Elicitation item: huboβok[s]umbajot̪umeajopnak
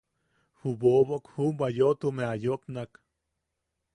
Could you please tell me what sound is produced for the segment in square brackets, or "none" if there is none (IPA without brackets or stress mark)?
h